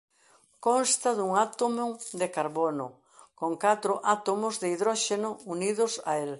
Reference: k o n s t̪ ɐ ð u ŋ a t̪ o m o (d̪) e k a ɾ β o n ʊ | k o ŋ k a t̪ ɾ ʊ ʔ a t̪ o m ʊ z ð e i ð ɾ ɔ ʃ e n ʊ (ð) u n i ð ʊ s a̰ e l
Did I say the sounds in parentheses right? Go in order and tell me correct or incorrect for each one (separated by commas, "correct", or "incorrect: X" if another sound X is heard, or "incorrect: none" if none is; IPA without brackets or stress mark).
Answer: correct, incorrect: none